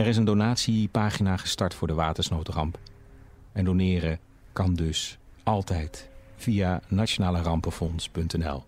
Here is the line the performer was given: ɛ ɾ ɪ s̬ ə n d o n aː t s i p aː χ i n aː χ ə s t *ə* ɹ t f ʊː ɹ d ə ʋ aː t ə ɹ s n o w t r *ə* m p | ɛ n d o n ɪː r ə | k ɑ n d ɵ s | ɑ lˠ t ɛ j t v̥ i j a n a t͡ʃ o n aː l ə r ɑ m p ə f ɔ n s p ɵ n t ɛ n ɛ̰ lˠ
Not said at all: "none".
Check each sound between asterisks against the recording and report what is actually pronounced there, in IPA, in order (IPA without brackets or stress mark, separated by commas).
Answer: ɑ, ɑ